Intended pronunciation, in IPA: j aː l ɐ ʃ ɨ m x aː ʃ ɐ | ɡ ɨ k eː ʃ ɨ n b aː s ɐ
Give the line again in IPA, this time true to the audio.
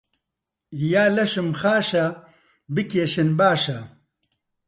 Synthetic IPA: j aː l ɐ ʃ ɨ m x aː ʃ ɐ | b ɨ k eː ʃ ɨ n b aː ʃ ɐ

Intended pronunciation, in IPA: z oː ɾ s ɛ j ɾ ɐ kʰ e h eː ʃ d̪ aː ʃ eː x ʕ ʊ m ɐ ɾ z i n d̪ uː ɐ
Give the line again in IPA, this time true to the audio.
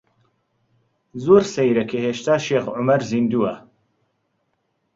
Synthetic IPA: z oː ɾ s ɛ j ɾ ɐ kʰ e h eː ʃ t̪ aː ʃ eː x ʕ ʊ m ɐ ɾ z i n d̪ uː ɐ

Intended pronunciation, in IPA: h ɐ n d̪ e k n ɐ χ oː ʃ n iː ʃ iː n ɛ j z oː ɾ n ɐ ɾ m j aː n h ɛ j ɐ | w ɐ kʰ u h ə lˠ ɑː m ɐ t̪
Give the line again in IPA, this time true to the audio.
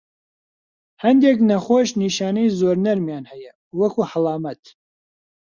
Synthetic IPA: h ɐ n d̪ e k n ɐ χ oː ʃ n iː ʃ aː n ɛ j z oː ɾ n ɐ ɾ m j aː n h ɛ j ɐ | w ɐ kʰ u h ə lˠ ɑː m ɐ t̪

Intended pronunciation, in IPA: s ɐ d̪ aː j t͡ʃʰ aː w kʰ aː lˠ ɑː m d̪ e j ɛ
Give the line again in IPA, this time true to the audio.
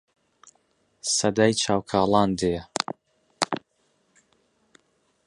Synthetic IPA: s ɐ d̪ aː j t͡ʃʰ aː w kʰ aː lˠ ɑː n d̪ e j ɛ

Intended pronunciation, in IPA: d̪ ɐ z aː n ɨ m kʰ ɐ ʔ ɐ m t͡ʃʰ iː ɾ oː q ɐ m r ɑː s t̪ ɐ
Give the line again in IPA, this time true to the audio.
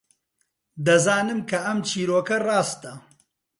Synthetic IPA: d̪ ɐ z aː n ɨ m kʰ ɐ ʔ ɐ m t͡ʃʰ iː ɾ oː k ɐ r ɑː s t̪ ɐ

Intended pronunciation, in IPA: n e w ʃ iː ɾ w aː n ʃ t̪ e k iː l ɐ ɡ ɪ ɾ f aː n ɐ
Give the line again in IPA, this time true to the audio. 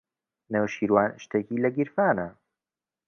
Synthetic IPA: n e w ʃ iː ɾ w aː n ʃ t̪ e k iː l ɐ ɡ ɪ ɾ f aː n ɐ

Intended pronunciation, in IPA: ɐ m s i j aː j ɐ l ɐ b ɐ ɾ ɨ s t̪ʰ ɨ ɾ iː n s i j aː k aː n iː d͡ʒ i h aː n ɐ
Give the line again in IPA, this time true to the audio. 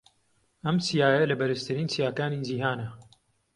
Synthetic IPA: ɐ m s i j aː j ɐ l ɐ b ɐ ɾ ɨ s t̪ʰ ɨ ɾ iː n s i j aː k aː n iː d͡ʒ i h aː n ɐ

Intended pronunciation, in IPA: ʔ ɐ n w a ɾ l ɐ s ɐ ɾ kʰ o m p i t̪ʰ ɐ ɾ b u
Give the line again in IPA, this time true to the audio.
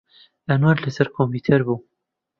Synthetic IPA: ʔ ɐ n w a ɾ l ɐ s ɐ ɾ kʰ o m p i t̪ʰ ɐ ɾ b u

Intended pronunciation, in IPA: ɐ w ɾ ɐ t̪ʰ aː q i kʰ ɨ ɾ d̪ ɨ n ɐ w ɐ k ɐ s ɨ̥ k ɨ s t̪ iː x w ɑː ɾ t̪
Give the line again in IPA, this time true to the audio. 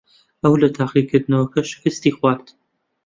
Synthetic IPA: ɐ w l ɐ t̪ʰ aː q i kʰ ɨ ɾ d̪ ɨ n ɐ w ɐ k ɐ ʃ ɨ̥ k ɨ s t̪ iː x w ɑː ɾ t̪

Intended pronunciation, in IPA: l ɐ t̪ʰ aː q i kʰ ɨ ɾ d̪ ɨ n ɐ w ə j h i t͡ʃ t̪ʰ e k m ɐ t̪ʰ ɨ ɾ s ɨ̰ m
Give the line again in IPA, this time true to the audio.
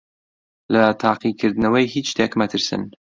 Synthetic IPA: l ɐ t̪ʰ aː q i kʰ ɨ ɾ d̪ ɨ n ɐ w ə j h i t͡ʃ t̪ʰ e k m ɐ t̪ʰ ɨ ɾ s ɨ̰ n

